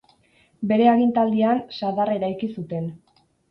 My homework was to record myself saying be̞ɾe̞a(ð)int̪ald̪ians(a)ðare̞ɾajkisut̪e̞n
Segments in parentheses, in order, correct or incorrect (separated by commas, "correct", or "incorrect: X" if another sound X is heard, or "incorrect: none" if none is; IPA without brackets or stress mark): incorrect: ɣ, correct